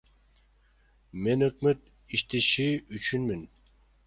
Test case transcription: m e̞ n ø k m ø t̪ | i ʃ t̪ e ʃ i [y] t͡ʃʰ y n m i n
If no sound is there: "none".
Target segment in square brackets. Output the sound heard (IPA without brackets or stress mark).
y